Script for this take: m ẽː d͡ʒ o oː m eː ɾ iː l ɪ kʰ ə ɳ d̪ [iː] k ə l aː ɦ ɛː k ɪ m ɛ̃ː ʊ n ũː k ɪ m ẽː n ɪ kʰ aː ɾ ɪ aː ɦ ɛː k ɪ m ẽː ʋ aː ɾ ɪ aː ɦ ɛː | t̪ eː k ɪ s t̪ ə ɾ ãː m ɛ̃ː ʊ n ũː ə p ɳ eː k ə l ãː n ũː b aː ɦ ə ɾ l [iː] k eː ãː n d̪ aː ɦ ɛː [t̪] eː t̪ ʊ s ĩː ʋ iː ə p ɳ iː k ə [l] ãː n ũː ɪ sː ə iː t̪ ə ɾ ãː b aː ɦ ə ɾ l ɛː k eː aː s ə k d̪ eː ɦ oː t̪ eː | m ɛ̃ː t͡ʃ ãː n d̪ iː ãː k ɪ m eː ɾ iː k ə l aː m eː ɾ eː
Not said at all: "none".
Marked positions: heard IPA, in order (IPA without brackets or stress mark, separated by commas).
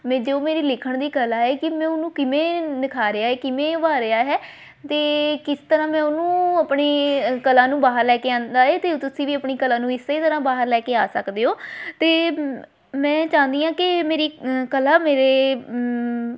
iː, ɛː, t̪, l